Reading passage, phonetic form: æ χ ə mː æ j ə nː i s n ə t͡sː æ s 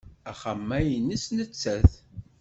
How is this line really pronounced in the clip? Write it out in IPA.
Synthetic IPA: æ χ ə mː æ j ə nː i s n ə t͡sː æ θ